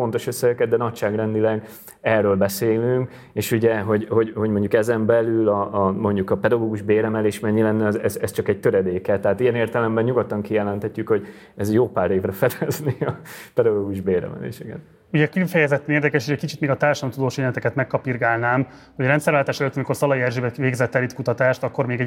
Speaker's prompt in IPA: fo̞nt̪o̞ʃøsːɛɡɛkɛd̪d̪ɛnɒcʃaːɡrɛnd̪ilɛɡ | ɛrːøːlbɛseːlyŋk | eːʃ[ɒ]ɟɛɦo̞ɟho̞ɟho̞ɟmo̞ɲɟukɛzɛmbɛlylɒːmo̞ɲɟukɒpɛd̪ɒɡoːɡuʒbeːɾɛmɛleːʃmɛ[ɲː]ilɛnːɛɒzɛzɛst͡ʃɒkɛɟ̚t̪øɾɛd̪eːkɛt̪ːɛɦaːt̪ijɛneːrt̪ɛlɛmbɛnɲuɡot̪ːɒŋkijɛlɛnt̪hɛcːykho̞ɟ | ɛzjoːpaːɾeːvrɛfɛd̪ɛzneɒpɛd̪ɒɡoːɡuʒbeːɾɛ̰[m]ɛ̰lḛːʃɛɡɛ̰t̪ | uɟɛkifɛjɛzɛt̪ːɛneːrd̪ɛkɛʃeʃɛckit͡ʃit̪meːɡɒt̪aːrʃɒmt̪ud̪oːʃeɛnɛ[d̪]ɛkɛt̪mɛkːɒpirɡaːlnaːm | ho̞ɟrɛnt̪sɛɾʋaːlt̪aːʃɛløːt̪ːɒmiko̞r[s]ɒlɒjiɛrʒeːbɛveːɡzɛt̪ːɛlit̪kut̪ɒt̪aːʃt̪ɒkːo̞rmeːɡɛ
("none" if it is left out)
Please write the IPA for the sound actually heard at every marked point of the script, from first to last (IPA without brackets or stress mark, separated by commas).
u, ɲː, m, t̪, s